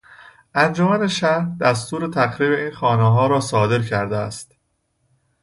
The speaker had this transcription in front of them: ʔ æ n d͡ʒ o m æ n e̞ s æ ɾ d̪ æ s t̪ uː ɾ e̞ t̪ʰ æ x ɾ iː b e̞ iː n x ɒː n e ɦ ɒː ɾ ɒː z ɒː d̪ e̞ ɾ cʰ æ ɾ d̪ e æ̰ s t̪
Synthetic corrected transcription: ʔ æ n d͡ʒ o m æ n e̞ ʃ æ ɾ d̪ æ s t̪ uː ɾ e̞ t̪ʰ æ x ɾ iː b e̞ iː n x ɒː n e ɦ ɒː ɾ ɒː s ɒː d̪ e̞ ɾ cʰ æ ɾ d̪ e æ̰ s t̪